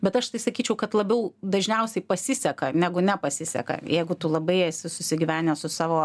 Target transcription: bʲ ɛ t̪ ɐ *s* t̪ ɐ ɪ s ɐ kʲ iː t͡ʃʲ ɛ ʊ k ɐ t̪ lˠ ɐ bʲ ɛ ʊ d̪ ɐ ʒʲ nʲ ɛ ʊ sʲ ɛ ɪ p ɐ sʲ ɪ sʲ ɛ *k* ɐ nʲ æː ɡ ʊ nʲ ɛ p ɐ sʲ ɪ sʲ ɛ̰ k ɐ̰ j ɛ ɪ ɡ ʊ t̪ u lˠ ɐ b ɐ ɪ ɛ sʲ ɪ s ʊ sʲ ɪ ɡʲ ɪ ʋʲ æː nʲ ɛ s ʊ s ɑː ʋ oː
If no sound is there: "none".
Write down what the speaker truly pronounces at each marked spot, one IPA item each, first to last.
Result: ʃ, k

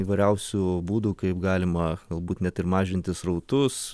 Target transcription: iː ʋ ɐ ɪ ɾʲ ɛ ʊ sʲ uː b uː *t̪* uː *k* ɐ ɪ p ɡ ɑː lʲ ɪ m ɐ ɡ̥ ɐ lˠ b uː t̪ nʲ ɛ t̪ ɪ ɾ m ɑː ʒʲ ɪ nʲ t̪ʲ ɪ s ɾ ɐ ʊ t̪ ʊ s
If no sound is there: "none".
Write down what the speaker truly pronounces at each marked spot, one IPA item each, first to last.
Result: d̪, k

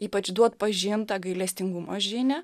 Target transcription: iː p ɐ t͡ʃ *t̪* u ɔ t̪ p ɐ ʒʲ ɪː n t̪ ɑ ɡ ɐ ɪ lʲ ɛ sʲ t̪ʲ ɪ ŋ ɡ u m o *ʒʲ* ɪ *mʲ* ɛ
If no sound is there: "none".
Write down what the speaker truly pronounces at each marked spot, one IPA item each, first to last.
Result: d̪, ʒʲ, nʲ

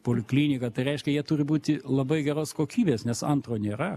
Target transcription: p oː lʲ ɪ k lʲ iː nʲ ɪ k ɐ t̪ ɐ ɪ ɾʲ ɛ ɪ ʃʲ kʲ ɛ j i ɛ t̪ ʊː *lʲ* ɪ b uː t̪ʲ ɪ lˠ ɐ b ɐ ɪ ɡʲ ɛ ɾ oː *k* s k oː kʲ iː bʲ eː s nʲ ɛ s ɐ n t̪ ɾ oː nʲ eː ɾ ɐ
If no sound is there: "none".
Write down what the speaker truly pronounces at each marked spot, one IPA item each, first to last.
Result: ɾʲ, none

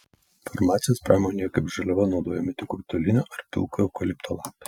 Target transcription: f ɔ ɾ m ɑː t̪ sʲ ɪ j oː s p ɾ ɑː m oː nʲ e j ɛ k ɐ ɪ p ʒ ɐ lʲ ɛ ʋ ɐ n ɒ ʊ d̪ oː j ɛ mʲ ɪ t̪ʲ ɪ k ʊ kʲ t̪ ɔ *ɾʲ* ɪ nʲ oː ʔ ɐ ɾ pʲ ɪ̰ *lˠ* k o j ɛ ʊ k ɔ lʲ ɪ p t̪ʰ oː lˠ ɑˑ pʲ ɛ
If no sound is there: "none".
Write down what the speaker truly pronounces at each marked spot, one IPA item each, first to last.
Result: lʲ, lˠ

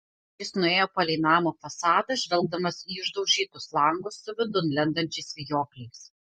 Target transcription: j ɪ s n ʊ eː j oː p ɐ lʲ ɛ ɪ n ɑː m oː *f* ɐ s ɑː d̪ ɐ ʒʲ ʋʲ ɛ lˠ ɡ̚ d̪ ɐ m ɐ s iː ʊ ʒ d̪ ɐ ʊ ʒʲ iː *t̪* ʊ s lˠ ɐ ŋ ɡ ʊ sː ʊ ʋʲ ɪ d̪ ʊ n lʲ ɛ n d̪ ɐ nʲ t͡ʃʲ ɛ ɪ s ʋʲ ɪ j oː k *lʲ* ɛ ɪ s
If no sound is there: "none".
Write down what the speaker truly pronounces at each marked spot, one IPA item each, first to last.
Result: f, t̪, lʲ

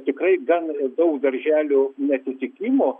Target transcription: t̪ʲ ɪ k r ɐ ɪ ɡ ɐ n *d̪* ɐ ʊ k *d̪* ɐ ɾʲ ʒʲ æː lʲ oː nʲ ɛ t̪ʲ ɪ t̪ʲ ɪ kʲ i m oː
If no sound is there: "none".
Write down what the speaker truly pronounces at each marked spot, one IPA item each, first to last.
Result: d̪, d̪

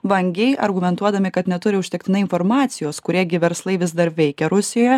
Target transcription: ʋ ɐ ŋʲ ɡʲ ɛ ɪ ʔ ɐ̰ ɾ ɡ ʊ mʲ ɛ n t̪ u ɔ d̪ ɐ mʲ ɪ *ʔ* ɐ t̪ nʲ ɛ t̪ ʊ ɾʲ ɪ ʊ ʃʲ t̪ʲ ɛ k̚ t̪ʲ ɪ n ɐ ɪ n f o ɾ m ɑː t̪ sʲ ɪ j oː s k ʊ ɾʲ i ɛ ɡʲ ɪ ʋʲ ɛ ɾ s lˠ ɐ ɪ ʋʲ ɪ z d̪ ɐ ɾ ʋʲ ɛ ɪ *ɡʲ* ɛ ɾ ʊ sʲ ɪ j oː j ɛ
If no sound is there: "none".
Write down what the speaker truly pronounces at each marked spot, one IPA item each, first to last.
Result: k, kʲ

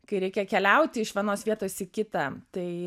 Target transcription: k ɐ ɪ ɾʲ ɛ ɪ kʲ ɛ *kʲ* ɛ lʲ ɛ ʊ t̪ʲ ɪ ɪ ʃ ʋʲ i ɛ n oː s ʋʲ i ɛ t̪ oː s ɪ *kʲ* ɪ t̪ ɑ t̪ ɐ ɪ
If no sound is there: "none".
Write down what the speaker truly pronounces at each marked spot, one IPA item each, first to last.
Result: kʲ, kʲ

